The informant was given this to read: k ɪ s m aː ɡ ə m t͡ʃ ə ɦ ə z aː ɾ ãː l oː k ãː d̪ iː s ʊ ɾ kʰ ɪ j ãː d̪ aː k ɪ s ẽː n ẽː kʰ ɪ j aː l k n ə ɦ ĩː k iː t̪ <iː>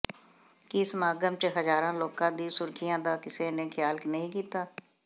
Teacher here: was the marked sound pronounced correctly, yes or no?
no